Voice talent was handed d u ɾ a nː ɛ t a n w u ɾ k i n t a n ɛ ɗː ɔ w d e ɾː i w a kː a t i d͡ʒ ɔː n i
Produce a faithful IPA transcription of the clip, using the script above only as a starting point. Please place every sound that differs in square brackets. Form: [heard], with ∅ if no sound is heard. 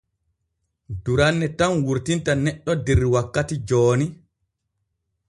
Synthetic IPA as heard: d u ɾ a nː ɛ t a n w u ɾ [t] i n t a n ɛ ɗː ɔ [∅] d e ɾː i w a kː a t i d͡ʒ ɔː n i